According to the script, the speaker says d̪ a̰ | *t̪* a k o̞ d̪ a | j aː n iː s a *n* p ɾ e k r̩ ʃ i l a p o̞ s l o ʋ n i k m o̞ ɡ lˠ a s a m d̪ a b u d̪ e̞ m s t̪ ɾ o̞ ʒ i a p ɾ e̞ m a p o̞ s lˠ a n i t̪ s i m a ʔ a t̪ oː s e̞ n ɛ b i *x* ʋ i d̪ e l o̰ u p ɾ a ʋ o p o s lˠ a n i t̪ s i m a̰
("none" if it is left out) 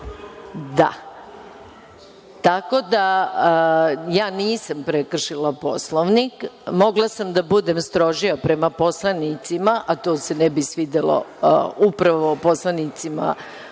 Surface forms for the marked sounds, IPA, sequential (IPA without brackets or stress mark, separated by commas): t̪, m, s